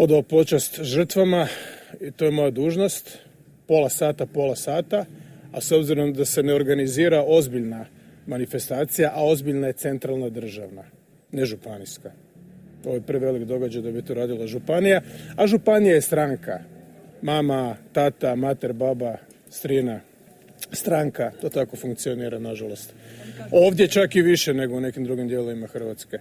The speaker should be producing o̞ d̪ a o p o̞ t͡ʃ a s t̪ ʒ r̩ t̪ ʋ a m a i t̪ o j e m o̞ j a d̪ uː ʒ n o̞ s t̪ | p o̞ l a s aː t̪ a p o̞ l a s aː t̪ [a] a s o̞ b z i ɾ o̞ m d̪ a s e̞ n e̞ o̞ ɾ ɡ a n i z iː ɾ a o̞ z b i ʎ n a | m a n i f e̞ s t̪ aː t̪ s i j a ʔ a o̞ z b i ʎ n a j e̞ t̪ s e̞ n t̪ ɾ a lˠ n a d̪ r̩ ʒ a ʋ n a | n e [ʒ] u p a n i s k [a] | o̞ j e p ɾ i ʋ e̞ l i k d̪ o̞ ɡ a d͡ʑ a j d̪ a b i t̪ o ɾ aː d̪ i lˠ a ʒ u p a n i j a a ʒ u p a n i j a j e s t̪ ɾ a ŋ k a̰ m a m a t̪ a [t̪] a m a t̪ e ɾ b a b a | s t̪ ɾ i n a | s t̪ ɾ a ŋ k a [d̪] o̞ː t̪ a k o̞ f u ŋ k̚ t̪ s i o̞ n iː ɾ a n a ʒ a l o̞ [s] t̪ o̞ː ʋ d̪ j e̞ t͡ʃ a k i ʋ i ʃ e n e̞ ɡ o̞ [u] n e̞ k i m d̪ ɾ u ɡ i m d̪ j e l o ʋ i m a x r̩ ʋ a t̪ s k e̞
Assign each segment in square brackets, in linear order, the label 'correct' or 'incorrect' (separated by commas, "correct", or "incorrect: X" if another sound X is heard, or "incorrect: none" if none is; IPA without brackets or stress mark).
correct, correct, correct, correct, incorrect: t̪, correct, correct